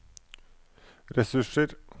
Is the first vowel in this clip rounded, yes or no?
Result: no